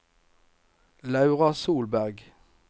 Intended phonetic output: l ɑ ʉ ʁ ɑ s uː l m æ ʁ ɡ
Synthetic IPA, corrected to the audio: l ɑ ʉ ʁ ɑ s uː l b æ ʁ ɡ